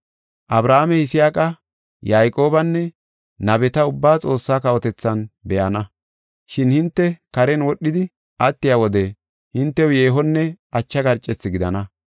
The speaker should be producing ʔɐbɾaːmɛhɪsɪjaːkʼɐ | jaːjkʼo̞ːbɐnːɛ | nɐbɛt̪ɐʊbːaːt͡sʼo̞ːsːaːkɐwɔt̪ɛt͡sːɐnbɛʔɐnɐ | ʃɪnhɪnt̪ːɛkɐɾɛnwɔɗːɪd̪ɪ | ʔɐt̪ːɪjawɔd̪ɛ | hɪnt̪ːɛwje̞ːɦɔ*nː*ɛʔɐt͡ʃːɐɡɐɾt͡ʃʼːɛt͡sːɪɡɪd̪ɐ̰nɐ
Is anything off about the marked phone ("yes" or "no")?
no